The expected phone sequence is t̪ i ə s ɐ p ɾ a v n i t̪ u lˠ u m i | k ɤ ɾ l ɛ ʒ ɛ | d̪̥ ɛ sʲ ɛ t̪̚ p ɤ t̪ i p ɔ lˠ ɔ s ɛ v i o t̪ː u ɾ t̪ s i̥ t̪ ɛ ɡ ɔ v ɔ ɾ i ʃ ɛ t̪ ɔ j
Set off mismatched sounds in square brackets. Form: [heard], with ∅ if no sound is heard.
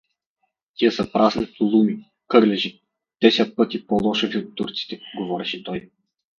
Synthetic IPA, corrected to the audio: t̪ i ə s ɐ p ɾ a [z] n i t̪ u lˠ u m i | k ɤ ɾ l ɛ ʒ [i] | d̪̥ ɛ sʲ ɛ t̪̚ p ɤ t̪ i p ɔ lˠ ɔ [ʃ] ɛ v i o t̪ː u ɾ t̪ s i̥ t̪ ɛ ɡ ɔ v ɔ ɾ [ɛ] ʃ ɛ t̪ ɔ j